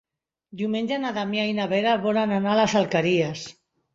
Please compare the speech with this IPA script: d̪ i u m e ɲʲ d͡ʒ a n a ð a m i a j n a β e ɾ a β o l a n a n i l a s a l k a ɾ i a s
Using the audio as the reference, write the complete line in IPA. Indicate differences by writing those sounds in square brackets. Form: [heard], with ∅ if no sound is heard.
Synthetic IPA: d̪ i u m e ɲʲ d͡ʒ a n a ð a m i a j n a β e ɾ a β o l a n a n [a] l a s a l k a ɾ i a s